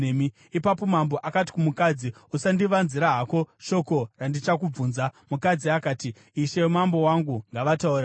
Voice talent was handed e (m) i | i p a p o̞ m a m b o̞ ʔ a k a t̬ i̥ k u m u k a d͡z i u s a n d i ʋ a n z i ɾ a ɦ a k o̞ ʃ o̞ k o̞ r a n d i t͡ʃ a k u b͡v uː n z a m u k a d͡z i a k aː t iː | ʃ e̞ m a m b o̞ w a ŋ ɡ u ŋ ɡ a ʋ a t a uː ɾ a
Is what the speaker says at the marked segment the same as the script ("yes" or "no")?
yes